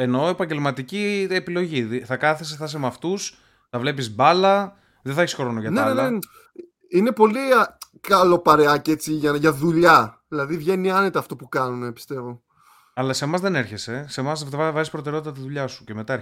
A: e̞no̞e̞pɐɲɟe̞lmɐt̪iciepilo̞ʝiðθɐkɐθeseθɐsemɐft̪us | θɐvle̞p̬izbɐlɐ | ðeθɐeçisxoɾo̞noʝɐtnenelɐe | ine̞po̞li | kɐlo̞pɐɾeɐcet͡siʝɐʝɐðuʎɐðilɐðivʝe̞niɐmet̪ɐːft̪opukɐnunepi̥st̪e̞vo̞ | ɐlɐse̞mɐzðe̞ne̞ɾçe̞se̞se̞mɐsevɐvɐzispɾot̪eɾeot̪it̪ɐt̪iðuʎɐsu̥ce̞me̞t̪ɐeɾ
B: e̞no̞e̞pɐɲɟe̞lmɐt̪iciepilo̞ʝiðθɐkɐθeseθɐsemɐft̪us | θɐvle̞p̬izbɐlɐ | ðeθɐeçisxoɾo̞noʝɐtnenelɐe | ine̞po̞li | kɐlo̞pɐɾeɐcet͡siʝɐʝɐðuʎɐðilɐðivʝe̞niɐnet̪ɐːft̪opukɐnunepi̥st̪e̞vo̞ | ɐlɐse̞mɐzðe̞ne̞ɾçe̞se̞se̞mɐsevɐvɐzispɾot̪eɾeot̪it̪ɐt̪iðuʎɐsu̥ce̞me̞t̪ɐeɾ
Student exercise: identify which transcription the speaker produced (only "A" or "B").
B